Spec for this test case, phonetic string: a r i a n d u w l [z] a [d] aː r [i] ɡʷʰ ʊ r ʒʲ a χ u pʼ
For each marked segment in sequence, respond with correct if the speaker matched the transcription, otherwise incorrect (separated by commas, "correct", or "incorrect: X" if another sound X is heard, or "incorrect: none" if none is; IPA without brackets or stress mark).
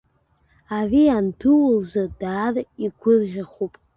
correct, correct, correct